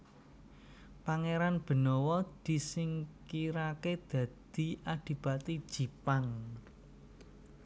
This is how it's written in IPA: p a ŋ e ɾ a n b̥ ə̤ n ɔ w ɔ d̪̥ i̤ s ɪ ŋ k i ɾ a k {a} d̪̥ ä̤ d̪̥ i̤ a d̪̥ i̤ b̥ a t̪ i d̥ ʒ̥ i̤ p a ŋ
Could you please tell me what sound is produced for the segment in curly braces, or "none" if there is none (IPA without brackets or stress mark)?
e